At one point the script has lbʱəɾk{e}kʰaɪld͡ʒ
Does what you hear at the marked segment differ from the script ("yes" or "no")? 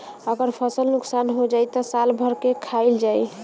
no